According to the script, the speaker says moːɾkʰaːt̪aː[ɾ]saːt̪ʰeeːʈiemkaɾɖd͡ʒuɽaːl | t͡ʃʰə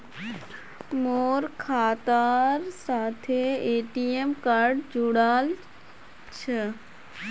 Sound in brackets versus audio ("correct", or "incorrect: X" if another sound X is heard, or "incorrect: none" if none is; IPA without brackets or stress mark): correct